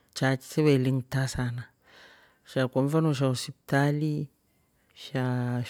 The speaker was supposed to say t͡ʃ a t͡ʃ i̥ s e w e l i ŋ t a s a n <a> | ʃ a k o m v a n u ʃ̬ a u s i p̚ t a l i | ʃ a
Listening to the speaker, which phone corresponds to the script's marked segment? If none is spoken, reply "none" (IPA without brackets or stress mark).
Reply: a